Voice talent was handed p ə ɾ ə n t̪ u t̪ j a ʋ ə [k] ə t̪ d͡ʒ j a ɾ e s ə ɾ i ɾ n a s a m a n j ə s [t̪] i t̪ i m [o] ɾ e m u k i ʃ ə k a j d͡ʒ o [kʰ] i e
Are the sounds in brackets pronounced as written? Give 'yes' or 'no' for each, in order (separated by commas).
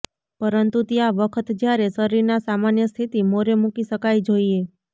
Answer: no, no, yes, no